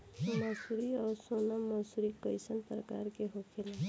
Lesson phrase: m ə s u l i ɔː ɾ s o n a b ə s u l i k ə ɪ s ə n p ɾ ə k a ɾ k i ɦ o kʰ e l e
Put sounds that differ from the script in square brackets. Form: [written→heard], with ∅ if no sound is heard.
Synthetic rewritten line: m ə s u [l→ɾ] i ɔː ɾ s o n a [b→m] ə s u [l→ɾ] i k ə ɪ s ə n p ɾ ə k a ɾ k [i→e] ɦ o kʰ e l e